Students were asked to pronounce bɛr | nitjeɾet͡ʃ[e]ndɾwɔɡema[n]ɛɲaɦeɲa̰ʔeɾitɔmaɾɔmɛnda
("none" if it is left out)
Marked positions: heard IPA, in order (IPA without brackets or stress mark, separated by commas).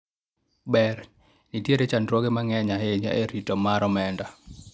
a, ŋ